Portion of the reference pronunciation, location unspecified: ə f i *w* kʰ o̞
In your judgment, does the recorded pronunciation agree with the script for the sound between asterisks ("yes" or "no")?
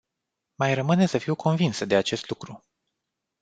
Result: yes